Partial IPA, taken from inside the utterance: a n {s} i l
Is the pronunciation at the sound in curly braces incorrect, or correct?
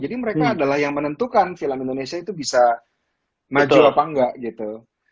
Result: incorrect